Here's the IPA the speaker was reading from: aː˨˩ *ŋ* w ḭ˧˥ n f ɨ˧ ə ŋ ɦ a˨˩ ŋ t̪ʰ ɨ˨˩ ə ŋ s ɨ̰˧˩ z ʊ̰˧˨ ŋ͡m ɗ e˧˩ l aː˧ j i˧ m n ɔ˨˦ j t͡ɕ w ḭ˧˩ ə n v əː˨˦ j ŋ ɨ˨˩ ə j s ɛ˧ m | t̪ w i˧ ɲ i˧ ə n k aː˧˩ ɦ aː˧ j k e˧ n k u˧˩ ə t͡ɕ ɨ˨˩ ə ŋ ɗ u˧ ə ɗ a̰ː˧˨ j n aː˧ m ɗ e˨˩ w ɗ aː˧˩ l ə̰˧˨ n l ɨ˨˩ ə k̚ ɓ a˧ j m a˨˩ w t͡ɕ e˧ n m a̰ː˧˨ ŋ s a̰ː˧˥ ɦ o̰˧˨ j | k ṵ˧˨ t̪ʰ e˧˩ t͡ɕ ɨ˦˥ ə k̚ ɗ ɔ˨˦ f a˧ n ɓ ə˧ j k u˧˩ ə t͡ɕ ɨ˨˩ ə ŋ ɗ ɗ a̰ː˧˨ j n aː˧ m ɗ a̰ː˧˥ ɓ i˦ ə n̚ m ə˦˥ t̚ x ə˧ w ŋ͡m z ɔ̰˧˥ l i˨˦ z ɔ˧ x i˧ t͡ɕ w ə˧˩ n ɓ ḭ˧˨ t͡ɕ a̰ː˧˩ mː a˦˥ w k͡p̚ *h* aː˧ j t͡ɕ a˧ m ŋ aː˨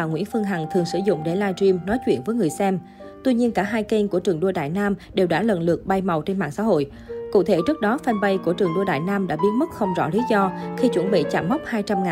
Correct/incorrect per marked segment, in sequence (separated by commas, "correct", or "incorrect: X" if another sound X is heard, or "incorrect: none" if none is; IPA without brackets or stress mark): correct, correct